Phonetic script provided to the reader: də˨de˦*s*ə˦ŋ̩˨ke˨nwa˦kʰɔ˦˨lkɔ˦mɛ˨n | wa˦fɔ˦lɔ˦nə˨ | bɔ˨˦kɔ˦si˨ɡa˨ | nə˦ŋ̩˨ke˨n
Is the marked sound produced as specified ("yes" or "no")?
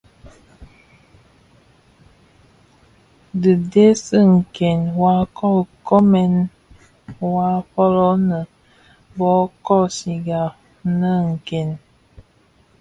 yes